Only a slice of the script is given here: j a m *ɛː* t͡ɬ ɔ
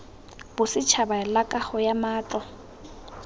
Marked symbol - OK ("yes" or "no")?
no